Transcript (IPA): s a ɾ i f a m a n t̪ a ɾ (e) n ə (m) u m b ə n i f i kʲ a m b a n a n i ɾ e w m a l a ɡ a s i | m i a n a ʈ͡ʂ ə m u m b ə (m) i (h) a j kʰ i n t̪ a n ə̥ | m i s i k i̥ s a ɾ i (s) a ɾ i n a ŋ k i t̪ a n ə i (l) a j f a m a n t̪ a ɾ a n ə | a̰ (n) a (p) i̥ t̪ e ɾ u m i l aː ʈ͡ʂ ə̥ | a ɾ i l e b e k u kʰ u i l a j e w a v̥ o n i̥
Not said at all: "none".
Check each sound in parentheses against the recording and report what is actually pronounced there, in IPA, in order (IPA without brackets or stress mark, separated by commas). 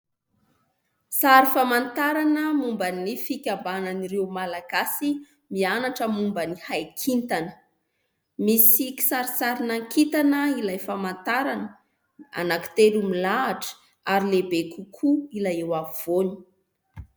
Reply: a, m, n, h, s, l, n, k